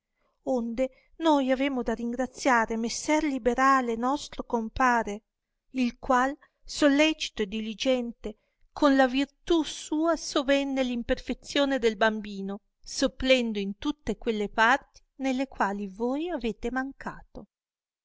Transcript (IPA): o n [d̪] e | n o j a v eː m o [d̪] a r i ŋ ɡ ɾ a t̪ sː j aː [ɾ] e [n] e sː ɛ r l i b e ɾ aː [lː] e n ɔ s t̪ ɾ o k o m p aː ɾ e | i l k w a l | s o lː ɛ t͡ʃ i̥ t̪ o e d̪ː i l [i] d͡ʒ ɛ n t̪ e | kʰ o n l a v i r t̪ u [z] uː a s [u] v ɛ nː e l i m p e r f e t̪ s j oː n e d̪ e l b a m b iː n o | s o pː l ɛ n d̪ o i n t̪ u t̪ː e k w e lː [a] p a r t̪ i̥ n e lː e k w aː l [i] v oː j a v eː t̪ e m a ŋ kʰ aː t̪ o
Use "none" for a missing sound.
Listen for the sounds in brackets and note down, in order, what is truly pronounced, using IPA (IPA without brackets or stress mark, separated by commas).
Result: d̪, d̪, ɾ, m, l, i, s, o, e, i